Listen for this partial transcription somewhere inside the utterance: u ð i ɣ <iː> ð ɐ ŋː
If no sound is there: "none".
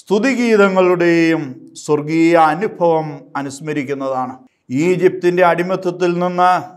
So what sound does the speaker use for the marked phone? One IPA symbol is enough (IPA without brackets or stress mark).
iː